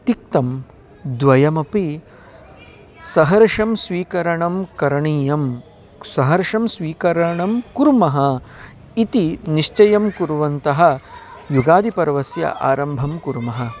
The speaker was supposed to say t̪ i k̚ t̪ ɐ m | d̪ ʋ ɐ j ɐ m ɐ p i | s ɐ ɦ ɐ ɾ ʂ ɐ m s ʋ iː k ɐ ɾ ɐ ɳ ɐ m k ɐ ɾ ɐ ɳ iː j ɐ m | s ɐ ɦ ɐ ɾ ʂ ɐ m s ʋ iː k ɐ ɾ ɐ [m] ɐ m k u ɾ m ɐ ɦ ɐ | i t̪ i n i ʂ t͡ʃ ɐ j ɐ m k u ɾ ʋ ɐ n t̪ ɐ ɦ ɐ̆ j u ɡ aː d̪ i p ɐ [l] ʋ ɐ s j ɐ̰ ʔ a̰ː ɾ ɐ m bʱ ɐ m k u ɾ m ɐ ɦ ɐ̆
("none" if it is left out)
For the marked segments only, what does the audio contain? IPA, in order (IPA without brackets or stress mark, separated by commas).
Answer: ɳ, ɾ